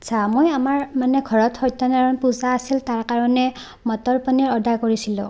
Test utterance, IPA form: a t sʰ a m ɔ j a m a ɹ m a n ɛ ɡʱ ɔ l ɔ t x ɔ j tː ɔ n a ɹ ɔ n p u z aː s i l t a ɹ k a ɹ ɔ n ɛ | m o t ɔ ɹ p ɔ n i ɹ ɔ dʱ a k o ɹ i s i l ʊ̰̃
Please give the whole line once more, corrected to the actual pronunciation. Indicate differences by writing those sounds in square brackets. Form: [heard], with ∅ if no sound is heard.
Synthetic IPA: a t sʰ a m [o] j a m a ɹ m a n ɛ ɡʱ ɔ [ɹ] ɔ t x ɔ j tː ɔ n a ɹ ɔ n p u z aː s i l t a ɹ k a ɹ ɔ n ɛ | m [ɔ] t ɔ ɹ p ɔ n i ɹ ɔ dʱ a k o ɹ i s i l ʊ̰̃